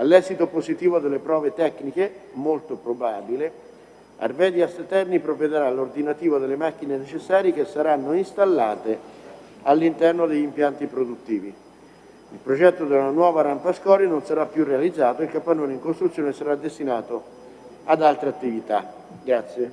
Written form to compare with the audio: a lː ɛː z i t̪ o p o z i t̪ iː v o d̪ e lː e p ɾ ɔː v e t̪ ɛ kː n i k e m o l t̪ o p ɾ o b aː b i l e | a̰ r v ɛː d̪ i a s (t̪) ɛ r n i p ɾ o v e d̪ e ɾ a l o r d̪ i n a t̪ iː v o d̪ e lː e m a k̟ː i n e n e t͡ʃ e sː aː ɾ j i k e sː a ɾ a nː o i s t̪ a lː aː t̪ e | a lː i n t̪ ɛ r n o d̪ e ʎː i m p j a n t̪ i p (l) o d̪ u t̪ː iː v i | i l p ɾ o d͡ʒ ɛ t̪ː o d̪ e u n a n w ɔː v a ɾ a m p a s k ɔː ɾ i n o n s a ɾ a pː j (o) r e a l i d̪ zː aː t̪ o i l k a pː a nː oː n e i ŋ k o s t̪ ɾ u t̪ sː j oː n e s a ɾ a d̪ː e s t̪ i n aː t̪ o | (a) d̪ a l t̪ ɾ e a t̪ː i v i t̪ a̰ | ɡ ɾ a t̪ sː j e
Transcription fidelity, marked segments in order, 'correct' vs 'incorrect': correct, incorrect: ɾ, incorrect: u, correct

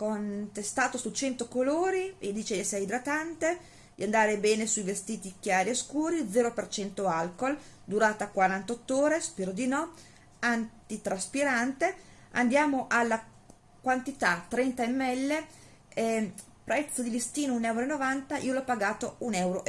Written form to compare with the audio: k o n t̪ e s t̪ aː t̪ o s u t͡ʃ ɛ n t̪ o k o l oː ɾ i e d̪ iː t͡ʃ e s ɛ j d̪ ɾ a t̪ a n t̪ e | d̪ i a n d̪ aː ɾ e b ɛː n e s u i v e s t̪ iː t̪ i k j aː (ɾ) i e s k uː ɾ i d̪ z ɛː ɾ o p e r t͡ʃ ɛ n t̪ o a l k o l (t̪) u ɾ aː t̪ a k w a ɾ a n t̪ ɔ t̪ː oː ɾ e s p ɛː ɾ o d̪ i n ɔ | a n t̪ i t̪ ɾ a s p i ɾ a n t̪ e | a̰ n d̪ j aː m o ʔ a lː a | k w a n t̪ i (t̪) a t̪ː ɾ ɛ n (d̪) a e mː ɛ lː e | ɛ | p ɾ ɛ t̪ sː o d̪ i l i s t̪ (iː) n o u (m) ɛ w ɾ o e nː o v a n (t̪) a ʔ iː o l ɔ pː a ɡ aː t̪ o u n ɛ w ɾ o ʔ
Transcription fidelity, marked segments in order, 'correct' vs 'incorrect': correct, incorrect: d̪, correct, incorrect: t̪, correct, incorrect: n, correct

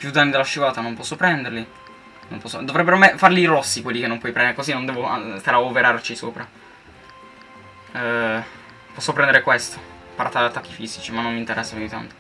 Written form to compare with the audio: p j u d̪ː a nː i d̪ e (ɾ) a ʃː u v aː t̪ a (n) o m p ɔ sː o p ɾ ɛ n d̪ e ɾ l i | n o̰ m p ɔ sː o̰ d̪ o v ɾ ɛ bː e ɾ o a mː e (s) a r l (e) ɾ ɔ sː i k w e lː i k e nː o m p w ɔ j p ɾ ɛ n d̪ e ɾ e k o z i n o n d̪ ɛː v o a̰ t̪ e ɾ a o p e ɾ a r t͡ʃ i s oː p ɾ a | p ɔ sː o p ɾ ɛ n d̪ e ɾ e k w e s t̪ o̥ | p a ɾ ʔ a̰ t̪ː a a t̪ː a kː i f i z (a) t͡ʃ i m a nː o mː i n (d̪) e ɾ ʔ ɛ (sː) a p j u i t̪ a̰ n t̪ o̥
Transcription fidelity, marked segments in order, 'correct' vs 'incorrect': incorrect: l, correct, incorrect: f, incorrect: i, incorrect: i, incorrect: t̪, correct

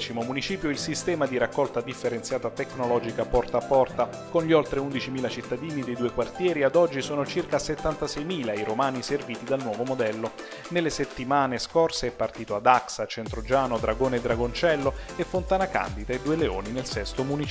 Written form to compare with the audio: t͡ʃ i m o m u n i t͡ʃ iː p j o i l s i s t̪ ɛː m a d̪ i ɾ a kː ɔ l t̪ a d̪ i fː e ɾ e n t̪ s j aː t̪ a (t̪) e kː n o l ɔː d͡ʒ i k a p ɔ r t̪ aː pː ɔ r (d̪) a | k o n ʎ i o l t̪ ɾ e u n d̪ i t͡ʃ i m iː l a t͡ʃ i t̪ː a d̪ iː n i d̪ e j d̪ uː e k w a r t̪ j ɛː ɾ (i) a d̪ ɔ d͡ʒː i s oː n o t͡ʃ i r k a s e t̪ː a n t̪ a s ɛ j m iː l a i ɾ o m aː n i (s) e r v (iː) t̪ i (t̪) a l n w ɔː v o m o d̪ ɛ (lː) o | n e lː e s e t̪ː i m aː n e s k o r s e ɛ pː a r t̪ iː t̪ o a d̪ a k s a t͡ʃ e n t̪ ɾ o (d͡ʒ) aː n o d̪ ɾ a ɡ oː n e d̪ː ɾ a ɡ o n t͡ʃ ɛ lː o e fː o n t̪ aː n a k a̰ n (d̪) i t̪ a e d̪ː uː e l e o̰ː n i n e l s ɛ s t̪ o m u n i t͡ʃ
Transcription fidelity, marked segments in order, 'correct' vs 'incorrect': correct, incorrect: t̪, correct, correct, correct, incorrect: d̪, correct, correct, correct

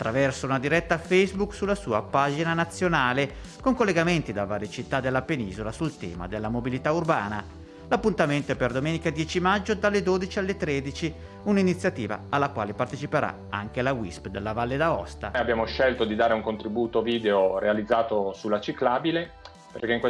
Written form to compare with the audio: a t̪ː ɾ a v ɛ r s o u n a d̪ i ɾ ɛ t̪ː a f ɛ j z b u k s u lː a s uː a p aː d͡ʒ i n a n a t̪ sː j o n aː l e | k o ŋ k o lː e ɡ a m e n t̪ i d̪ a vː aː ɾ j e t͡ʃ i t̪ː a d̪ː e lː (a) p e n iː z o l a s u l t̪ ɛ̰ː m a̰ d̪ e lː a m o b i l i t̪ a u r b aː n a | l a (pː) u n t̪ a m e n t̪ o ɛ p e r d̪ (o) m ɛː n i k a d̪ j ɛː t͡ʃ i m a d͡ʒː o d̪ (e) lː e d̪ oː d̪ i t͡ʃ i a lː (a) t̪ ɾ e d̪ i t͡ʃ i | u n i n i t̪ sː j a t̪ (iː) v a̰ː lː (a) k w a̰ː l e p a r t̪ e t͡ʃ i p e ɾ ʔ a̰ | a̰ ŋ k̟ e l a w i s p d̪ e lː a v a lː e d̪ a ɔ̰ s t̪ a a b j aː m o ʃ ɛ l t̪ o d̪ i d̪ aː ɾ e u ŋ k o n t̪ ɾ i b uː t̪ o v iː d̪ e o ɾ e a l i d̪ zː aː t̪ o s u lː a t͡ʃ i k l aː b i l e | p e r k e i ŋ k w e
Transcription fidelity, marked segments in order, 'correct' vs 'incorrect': correct, correct, correct, incorrect: a, incorrect: e, correct, correct

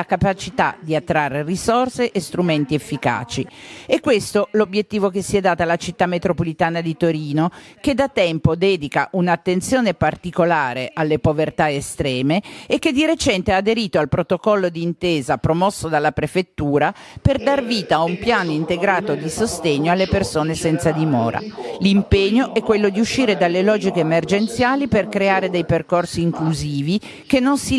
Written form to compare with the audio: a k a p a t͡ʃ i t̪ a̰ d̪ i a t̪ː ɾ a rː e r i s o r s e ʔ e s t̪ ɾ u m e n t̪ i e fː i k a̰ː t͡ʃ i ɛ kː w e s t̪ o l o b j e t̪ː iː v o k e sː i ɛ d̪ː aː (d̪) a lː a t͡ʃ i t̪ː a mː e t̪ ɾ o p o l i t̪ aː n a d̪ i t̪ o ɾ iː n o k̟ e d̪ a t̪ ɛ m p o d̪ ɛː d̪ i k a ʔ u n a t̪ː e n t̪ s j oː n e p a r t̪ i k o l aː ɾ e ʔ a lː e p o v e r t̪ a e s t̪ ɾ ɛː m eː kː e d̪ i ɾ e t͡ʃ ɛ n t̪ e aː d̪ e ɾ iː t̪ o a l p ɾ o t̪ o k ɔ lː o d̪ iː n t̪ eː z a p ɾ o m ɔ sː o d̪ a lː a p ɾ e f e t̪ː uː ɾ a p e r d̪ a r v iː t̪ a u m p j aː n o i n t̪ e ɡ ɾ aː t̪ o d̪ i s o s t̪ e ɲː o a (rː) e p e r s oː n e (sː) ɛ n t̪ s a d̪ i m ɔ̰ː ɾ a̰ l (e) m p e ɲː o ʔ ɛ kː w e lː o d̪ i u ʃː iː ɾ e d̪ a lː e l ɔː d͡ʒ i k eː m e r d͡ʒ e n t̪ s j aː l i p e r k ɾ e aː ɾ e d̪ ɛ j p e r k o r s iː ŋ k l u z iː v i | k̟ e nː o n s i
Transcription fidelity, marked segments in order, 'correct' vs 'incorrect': incorrect: t̪, incorrect: lː, incorrect: s, incorrect: i

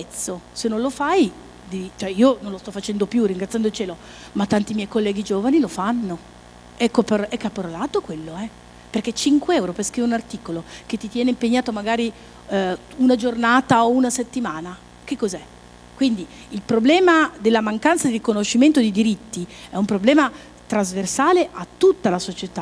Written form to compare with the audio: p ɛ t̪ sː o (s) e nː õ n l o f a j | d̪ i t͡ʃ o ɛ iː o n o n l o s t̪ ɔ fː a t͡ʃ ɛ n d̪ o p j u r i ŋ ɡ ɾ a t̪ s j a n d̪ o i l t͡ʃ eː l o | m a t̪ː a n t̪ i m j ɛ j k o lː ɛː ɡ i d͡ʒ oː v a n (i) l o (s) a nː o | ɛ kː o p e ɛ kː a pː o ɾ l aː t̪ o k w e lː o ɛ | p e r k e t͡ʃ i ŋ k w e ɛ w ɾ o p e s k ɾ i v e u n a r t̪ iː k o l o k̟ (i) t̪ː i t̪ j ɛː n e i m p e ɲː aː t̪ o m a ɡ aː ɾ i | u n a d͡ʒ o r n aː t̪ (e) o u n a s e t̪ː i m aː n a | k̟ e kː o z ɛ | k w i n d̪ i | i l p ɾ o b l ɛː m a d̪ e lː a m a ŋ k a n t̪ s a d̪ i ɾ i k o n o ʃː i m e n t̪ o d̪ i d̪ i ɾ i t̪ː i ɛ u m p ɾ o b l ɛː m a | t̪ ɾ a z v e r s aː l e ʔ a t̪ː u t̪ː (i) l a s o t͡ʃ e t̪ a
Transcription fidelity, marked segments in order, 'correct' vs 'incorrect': correct, correct, incorrect: f, incorrect: e, incorrect: a, incorrect: a

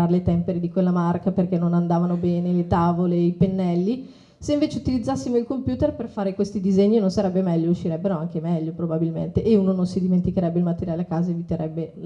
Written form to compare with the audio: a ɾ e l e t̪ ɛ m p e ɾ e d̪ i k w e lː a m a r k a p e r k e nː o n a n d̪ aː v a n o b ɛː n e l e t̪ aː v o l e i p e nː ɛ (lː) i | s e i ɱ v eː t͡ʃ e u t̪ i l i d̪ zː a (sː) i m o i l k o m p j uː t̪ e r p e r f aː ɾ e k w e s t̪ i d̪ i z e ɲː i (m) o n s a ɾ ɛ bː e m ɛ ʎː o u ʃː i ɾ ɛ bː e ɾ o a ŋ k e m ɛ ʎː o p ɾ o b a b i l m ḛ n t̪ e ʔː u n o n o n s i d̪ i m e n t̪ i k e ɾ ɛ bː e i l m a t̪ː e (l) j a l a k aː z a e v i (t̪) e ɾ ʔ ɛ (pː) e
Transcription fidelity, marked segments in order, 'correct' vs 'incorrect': correct, correct, incorrect: n, incorrect: ɾ, correct, incorrect: bː

